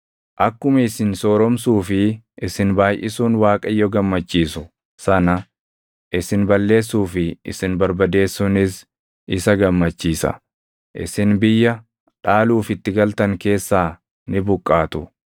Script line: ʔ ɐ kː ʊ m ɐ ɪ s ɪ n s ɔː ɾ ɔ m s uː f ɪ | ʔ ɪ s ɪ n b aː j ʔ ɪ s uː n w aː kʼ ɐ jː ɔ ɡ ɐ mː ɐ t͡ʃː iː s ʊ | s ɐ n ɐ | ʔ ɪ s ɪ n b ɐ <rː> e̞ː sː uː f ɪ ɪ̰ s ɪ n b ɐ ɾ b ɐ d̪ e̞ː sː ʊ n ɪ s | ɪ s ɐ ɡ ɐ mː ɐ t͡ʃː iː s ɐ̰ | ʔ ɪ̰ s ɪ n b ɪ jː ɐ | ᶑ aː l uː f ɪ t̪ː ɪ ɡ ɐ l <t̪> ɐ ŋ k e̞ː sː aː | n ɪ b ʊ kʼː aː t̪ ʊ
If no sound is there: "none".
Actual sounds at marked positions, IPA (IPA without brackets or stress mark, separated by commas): lː, t̪